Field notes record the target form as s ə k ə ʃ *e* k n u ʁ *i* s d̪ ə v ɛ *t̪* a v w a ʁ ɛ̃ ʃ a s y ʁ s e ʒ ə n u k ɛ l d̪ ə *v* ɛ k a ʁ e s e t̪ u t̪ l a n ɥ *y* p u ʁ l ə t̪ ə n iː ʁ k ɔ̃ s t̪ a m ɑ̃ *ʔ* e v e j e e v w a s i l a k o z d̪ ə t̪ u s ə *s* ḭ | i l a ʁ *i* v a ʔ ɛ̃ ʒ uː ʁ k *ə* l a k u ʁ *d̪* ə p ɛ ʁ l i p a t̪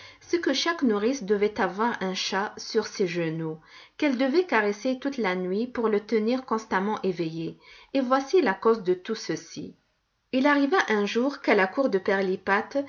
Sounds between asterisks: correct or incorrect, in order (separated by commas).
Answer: incorrect, correct, correct, correct, incorrect, correct, correct, correct, incorrect, correct